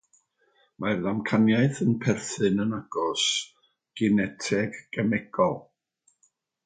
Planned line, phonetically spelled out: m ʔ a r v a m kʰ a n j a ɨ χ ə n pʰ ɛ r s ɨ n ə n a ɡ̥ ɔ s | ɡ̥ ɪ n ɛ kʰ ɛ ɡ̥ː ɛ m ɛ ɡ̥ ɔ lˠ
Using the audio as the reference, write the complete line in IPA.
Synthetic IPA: m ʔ a r ð a m kʰ a n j a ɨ θ ə n pʰ ɛ r θ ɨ n ə n a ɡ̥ ɔ s | ɡ̥ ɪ n ɛ tʰ ɛ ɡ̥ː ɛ m ɛ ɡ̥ ɔ lˠ